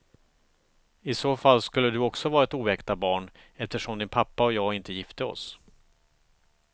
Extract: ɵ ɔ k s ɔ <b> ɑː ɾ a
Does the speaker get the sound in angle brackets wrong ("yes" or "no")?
yes